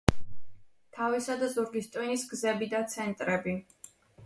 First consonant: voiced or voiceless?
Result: voiceless